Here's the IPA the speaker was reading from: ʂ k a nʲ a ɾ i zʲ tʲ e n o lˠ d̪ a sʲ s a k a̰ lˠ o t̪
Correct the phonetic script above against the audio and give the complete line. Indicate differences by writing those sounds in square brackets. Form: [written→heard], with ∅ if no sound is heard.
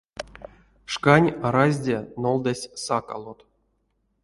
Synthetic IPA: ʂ k a nʲ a ɾ [i→a] zʲ [tʲ→dʲ] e n o lˠ d̪ a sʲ s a k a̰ lˠ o t̪